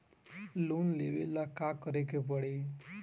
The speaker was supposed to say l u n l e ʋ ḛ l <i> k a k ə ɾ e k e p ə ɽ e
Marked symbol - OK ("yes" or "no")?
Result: no